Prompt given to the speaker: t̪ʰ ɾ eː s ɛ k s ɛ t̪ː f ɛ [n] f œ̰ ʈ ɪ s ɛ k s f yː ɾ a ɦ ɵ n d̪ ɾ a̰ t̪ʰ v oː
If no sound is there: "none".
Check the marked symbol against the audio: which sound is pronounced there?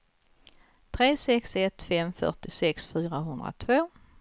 m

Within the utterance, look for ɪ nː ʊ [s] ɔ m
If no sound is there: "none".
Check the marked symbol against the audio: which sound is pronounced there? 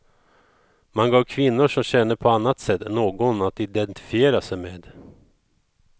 ʂ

